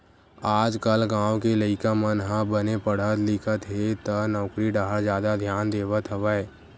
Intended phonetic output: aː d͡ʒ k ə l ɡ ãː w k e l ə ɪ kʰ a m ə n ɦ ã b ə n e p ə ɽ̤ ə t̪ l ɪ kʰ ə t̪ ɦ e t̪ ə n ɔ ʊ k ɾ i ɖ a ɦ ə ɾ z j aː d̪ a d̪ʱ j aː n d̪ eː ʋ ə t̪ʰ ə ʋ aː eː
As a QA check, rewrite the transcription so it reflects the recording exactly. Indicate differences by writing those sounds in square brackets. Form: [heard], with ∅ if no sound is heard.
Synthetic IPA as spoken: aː d͡ʒ k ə l ɡ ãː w k e l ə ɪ [k] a m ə n ɦ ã b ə n e p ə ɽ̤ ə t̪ l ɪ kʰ ə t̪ ɦ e t̪ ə n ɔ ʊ k ɾ i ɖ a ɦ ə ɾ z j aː d̪ a d̪ʱ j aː n d̪ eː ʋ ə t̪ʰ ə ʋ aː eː